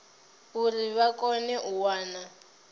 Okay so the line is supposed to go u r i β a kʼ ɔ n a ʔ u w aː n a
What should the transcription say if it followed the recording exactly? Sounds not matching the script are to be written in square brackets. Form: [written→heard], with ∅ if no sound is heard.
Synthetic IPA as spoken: u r i β a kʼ ɔ n [a→ɛ] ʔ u w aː n a